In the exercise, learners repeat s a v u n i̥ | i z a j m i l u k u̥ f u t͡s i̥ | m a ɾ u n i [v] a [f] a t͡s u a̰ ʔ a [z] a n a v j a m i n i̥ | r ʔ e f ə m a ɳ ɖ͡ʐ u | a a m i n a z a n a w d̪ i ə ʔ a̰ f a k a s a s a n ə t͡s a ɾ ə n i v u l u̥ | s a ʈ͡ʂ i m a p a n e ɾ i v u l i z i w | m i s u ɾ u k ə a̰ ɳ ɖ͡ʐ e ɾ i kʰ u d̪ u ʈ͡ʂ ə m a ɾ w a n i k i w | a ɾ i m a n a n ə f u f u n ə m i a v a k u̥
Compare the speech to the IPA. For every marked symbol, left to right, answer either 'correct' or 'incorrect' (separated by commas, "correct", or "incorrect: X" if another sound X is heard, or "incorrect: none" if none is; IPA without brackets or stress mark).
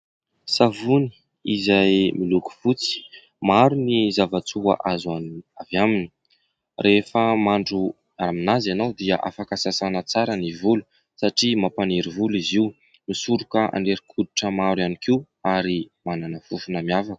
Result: incorrect: z, incorrect: v, correct